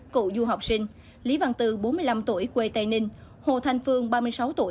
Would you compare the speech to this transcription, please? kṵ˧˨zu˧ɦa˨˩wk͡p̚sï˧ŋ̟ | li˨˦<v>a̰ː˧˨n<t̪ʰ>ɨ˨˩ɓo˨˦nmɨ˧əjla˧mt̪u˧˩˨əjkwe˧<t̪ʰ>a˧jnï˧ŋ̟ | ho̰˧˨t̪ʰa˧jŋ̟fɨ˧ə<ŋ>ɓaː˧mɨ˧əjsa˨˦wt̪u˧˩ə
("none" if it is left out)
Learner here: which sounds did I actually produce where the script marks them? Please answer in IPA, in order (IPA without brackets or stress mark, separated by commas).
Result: v, t̪, t̪, ŋ